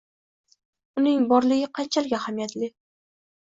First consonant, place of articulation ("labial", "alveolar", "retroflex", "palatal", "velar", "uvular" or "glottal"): alveolar